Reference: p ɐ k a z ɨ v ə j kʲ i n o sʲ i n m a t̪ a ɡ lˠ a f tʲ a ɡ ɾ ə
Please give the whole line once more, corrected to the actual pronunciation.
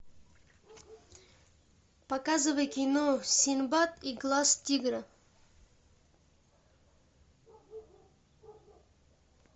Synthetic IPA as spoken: p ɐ k a z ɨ v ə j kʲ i n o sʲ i n b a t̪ i ɡ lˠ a s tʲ i ɡ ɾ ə

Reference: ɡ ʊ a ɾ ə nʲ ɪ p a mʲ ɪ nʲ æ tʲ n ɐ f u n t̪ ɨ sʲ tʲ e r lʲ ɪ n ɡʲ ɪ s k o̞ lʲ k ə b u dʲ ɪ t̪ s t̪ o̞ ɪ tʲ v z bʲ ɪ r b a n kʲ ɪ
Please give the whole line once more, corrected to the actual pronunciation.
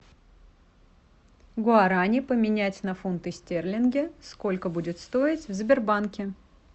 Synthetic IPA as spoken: ɡ ʊ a ɾ a nʲ ɪ p ə mʲ ɪ nʲ æ tʲ n ɐ f u n t̪ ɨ sʲ tʲ e r lʲ ɪ n ɡʲ ɪ s k o̞ lʲ k ə b u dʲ ɪ t̪ s t̪ o̞ ɪ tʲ v z bʲ ɪ r b a n kʲ ɪ

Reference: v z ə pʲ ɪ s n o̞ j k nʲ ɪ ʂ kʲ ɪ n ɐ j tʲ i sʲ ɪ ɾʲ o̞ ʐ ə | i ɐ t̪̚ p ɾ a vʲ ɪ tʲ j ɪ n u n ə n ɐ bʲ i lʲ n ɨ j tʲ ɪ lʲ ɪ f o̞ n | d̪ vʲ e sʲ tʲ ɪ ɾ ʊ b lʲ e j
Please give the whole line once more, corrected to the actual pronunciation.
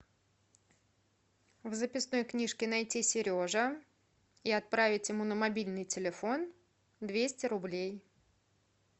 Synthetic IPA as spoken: v z ə pʲ ɪ s n o̞ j k nʲ i ʂ kʲ ɪ n ɐ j tʲ i sʲ ɪ ɾʲ o̞ ʐ ə | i ɐ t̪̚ p ɾ a vʲ ɪ tʲ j ɪ m u n ə m ɐ bʲ i lʲ n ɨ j tʲ ɪ lʲ ɪ f o̞ n | d̪ vʲ e sʲ tʲ ɪ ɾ ʊ b lʲ e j

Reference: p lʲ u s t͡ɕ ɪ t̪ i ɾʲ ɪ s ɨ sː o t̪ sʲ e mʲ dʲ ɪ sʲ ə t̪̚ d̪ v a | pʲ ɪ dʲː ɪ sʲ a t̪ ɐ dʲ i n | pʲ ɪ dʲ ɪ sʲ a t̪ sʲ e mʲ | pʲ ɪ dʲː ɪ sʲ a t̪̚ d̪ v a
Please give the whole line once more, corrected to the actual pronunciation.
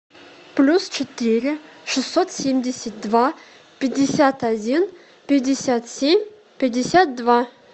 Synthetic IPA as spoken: p lʲ u s t͡ɕ ɪ t̪ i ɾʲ ɪ ʂ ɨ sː o t̪ sʲ e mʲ dʲ ɪ sʲ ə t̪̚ d̪ v a | pʲ ɪ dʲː ɪ sʲ a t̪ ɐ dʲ i n | pʲ ɪ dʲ ɪ sʲ a t̪ sʲ e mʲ | pʲ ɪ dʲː ɪ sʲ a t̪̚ d̪ v a

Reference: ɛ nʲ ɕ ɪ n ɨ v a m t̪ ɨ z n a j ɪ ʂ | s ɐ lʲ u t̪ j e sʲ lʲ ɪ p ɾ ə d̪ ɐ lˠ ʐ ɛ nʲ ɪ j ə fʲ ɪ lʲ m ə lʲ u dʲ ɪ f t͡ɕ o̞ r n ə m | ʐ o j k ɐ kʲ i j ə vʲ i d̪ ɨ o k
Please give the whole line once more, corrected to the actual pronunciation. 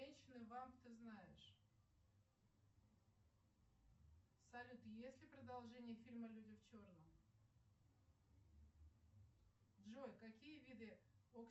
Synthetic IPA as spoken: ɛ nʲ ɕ ɪ n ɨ v a m t̪ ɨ z n a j ɪ ʂ | s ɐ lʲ u t̪ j e sʲ lʲ ɪ p ɾ ə d̪ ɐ lˠ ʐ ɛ nʲ ɪ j ə fʲ i lʲ m ə lʲ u dʲ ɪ f t͡ɕ o̞ r n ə m | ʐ o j k ɐ kʲ i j ə vʲ i d̪ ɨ o k

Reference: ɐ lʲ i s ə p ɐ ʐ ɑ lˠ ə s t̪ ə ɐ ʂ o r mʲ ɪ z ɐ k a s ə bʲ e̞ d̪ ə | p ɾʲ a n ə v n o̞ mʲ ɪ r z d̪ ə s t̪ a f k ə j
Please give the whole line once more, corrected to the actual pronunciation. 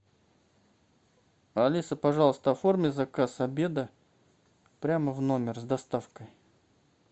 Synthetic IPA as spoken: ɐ lʲ i s ə p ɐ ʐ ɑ lˠ ə s t̪ ə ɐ f o r mʲ ɪ z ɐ k a s ɐ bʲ e̞ d̪ ə | p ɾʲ a m ə v n o̞ mʲ ɪ r z d̪ ɐ s t̪ a f k ə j

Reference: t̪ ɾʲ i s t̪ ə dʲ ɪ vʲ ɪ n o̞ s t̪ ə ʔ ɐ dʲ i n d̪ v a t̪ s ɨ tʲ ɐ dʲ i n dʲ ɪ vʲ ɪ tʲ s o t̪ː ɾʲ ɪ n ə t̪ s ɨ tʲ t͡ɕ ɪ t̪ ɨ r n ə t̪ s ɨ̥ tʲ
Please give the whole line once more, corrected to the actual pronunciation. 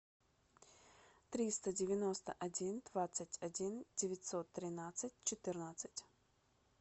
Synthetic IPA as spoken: t̪ ɾʲ i s t̪ ə dʲ ɪ vʲ ɪ n o̞ s t̪ ə ʔ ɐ dʲ i n d̪ v a t̪ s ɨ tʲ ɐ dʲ i n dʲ ɪ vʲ ɪ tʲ s o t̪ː ɾʲ ɪ n a t̪ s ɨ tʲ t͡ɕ ɪ t̪ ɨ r n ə t̪ s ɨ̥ tʲ

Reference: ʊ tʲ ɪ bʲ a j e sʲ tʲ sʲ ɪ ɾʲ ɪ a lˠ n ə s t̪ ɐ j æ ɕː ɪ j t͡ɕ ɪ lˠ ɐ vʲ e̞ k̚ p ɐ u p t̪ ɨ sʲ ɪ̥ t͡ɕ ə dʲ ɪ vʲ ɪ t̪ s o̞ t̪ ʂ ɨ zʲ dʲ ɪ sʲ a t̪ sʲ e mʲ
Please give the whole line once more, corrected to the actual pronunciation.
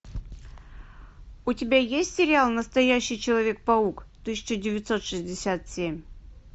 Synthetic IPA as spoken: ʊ tʲ ɪ bʲ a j e sʲ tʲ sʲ ɪ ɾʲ ɪ a lˠ n ə s t̪ ɐ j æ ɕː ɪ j t͡ɕ ɪ lˠ ɐ vʲ e̞ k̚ p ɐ u k t̪ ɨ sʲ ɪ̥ t͡ɕ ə dʲ ɪ vʲ ɪ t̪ s o̞ t̪ ʂ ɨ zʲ dʲ ɪ sʲ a t̪ sʲ e mʲ

